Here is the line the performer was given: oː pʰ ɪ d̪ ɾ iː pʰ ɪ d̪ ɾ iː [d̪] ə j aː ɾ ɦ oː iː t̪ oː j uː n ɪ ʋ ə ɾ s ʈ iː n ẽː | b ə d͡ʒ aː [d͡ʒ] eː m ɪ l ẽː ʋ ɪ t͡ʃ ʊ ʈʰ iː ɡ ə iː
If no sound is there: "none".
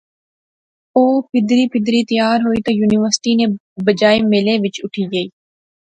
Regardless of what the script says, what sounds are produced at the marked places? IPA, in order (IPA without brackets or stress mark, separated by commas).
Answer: t̪, none